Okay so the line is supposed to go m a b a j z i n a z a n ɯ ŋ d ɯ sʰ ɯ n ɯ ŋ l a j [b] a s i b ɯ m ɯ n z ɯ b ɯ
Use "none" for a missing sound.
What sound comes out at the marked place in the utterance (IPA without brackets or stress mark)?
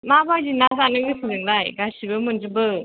ɡ